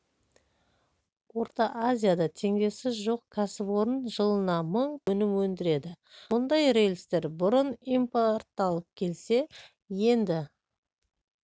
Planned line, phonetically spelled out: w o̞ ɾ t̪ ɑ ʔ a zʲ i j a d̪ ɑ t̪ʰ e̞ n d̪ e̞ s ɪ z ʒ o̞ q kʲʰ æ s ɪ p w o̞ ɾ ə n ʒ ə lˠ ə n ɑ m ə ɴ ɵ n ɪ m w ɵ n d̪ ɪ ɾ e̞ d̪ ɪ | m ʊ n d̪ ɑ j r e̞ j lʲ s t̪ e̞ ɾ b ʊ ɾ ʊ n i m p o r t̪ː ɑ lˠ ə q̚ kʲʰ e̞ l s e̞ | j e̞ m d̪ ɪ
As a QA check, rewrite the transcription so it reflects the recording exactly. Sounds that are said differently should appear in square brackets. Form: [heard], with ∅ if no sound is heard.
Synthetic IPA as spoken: w o̞ ɾ t̪ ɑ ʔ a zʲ i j a d̪ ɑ t̪ʰ e̞ [ŋ] d̪ e̞ s ɪ z ʒ o̞ q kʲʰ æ s ɪ p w o̞ ɾ ə n ʒ ə lˠ ə n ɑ m ə ɴ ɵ n ɪ m w ɵ n d̪ ɪ ɾ e̞ d̪ ɪ | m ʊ n d̪ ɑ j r e̞ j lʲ s t̪ e̞ ɾ b ʊ ɾ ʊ n i m p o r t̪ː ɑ lˠ ə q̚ kʲʰ e̞ l s e̞ | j e̞ [n] d̪ ɪ